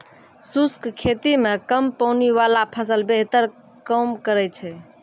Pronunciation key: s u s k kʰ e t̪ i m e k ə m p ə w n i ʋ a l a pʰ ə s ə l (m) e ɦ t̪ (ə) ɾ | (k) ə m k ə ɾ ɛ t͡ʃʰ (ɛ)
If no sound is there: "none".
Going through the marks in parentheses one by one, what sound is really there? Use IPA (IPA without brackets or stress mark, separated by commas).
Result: b, ə, k, ɛ